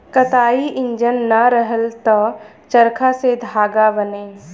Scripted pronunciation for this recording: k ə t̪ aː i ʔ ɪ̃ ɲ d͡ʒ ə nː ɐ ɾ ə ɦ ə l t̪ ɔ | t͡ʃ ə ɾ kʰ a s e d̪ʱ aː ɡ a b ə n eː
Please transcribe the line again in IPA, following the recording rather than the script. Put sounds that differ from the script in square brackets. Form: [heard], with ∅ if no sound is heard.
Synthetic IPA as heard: k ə t̪ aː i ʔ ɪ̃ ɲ d͡ʒ ə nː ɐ ɾ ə ɦ ə l t̪ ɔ | t͡ʃ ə ɾ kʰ a s e d̪ʱ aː ɡ a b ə n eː